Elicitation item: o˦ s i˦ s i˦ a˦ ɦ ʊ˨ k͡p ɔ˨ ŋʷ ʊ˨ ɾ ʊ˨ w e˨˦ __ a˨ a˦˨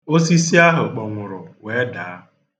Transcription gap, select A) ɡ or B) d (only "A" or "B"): B